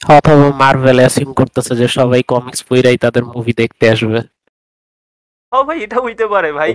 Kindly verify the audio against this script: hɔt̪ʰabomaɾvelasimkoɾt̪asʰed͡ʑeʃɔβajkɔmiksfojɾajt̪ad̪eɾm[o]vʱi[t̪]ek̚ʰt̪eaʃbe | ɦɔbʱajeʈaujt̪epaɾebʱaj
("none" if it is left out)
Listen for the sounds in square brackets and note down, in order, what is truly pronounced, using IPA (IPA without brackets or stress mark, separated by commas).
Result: u, d̪